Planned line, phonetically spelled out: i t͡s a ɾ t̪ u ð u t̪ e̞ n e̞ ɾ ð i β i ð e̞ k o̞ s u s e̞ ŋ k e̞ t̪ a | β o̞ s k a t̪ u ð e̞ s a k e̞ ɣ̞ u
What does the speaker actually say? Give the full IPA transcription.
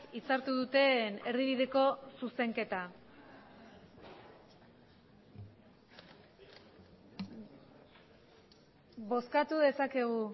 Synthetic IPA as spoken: i t͡s a ɾ t̪ u ð u t̪ e̞ n e̞ ɾ ð i β i ð e̞ k o̞ s u s e̞ ŋ k e̞ t̪ a | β o̞ s k a t̪ u ð e̞ s a k e̞ ɣ̞ u

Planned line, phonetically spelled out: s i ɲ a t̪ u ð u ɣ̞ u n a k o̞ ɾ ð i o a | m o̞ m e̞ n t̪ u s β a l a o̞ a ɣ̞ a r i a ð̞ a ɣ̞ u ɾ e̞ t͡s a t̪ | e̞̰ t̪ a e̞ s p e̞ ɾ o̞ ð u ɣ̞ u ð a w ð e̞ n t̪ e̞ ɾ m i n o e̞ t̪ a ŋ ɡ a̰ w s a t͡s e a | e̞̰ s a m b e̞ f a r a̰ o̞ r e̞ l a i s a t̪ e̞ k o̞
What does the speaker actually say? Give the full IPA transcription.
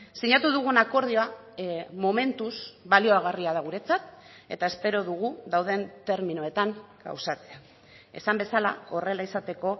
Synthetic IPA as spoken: s i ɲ a t̪ u ð u ɣ̞ u n a k o̞ ɾ ð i o a | m o̞ m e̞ n t̪ u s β a l i o̞ a ɣ̞ a r i a ð̞ a ɣ̞ u ɾ e̞ t͡s a t̪ | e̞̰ t̪ a e̞ s p e̞ ɾ o̞ ð u ɣ̞ u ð a w ð e̞ n t̪ e̞ ɾ m i n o e̞ t̪ a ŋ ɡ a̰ w s a t͡s e a | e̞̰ s a m b e̞ s a l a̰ o̞ r e̞ l a i s a t̪ e̞ k o̞

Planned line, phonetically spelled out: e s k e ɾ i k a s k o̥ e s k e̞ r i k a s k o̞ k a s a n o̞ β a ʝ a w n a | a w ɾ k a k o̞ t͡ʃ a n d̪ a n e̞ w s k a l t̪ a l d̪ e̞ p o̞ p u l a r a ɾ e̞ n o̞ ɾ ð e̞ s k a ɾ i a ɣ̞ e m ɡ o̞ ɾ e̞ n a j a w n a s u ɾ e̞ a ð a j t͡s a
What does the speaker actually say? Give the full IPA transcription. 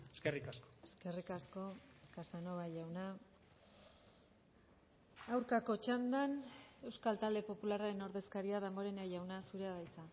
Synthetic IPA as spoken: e s k e r i k a s k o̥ e s k e̞ r i k a s k o̞ k a s a n o̞ β a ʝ a w n a | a w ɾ k a k o̞ t͡ʃ a n d̪ a n e̞ w s k a l t̪ a l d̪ e̞ p o̞ p u l a r a ɾ e̞ n o̞ ɾ ð e̞ s k a ɾ i a ð̞ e m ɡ o̞ ɾ e̞ n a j a w n a s u ɾ e̞ a ð a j t͡s a

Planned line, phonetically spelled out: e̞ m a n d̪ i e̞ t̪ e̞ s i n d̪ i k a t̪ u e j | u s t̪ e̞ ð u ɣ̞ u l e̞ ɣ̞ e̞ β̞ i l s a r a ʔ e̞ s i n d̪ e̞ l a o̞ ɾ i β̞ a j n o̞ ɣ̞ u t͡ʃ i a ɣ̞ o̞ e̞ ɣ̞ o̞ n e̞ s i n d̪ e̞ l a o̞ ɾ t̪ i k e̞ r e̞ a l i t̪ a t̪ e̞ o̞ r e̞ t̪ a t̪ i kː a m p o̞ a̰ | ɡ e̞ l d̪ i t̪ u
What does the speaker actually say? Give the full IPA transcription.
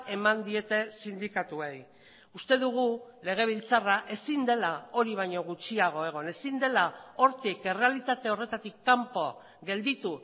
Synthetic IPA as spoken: e̞ m a n d̪ i e̞ t̪ e̞ s i n d̪ i k a t̪ u e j | u s t̪ e̞ ð u ɣ̞ u l e̞ ɣ̞ e̞ β̞ i l t͡s a r a ʔ e̞ s i n d̪ e̞ l a o̞ ɾ i β̞ a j ɲ o̞ ɣ̞ u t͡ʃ i a ɣ̞ o̞ e̞ ɣ̞ o̞ n e̞ s i n d̪ e̞ l a o̞ ɾ t̪ i k e̞ r e̞ a l i t̪ a t̪ e̞ o̞ r e̞ t̪ a t̪ i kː a m p o̞ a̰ | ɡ e̞ l d̪ i t̪ u

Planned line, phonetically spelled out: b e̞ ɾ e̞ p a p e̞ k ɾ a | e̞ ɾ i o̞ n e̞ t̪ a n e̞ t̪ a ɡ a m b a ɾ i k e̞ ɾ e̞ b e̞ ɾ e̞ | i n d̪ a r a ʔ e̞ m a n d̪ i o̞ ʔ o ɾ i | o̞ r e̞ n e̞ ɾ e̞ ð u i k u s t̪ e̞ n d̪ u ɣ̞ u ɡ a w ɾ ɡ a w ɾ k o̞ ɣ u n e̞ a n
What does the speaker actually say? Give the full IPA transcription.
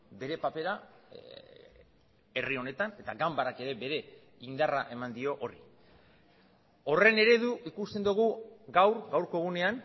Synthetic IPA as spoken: b e̞ ɾ e̞ p a p e̞ ɾ a | e̞ r i o̞ n e̞ t̪ a n e̞ t̪ a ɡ a m b a ɾ a k e̞ ɾ e̞ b e̞ ɾ e̞ | i n d̪ a r a ʔ e̞ m a n d̪ i o̞ ʔ o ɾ i | o̞ r e̞ n e̞ ɾ e̞ ð u i k u s t̪ e̞ n d̪ u ɣ̞ u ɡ a w ɾ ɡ a w ɾ k o̞ ɣ u n e̞ a n

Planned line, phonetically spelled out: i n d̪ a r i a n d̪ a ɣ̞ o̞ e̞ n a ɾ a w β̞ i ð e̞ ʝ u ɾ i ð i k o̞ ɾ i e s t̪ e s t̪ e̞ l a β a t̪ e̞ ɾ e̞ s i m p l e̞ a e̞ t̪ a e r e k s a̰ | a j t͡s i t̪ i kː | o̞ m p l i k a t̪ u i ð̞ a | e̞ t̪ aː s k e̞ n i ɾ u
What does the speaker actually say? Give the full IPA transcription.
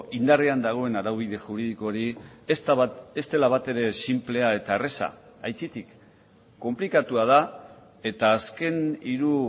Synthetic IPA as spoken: i n d̪ a r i a n d̪ a ɣ̞ o̞ e̞ n a ɾ a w β̞ i ð e̞ ʝ u ɾ i ð i k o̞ ɾ i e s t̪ e s t̪ e̞ l a β a t̪ e̞ ɾ e̞ s i m p l e̞ a e̞ t̪ a e r e s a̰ | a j t͡s i t̪ i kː | o̞ m p l i k a t̪ u a ð̞ a | e̞ t̪ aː s k e̞ n i ɾ u

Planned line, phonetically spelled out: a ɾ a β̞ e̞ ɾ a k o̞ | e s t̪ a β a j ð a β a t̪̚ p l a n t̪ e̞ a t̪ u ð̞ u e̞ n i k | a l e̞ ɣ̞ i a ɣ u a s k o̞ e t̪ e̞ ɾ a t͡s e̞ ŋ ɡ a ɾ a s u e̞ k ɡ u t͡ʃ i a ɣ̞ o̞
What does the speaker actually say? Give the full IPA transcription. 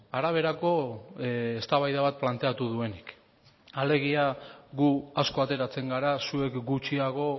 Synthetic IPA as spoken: a ɾ a β̞ e̞ ɾ a k o̞ | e s t̪ a β a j ð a β a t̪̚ p l a n t̪ e̞ a t̪ u ð̞ u e̞ n i k | a l e̞ ɣ̞ i a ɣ u a s k o̞ a t̪ e̞ ɾ a t͡s e̞ ŋ ɡ a ɾ a s u e̞ k ɡ u t͡ʃ i a ɣ̞ o̞

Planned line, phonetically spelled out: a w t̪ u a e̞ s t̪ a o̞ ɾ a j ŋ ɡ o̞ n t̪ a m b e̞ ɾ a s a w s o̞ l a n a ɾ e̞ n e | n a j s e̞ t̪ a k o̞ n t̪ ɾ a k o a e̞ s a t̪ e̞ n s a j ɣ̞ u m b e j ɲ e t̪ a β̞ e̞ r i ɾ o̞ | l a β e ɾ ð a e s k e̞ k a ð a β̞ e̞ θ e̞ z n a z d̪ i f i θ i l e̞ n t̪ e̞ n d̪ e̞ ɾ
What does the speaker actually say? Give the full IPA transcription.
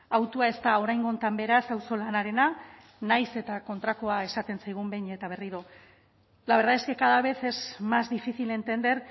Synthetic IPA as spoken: a w t̪ u a e̞ s t̪ a o̞ ɾ a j ŋ ɡ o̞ n t̪ a m b e̞ ɾ a s a w s o̞ l a n a ɾ e̞ n a | n a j s e̞ t̪ a k o̞ n t̪ ɾ a k o a e̞ s a t̪ e̞ n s a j ɣ̞ u m b e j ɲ e t̪ a β̞ e̞ r i ɾ o̞ | l a β e ɾ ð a e s k e̞ k a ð a β̞ e̞ θ e̞ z m a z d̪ i f i θ i l e̞ n t̪ e̞ n d̪ e̞ ɾ

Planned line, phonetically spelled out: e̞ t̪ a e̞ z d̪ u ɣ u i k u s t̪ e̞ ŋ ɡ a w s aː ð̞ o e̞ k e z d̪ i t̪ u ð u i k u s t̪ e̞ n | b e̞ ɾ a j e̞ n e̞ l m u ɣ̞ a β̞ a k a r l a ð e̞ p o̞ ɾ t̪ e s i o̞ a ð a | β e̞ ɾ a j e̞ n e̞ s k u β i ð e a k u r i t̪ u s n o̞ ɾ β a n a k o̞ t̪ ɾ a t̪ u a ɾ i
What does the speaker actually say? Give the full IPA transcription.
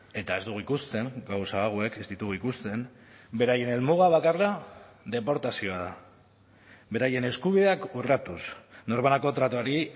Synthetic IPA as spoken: e̞ t̪ a e̞ z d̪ u ɣ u i k u s t̪ e̞ ŋ ɡ a w s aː ɣ̞ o e̞ k e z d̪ i t̪ u ɣ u i k u s t̪ e̞ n | b e̞ ɾ a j e̞ n e̞ l m u ɣ̞ a β̞ a k a r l a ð e̞ p o̞ ɾ t̪ a s i o̞ a ð a | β e̞ ɾ a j e̞ n e̞ s k u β i ð e a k u r a t̪ u s n o̞ ɾ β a n a k o̞ t̪ ɾ a t̪ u a ɾ i

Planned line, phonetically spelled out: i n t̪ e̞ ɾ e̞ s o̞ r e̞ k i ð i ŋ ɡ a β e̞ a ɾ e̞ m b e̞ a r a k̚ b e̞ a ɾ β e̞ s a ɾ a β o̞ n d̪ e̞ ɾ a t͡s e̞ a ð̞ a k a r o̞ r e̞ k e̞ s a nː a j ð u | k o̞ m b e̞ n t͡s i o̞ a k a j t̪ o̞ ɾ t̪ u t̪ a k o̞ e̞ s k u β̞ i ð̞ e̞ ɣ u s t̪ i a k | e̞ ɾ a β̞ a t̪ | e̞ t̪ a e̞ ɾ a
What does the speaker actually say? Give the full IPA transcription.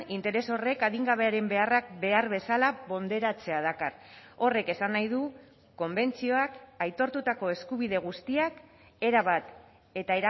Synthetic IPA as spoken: i n t̪ e̞ ɾ e̞ s o̞ r e̞ k a ð i ŋ ɡ a β e̞ a ɾ e̞ m b e̞ a r a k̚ b e̞ a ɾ β e̞ s a l a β o̞ n d̪ e̞ ɾ a t͡s e̞ a ð̞ a k a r o̞ r e̞ k e̞ s a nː a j ð u | k o̞ m b e̞ n t͡s i o̞ a k a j t̪ o̞ ɾ t̪ u t̪ a k o̞ e̞ s k u β̞ i ð̞ e̞ ɣ u s t̪ i a k | e̞ ɾ a β̞ a t̪ | e̞ t̪ a e̞ ɾ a

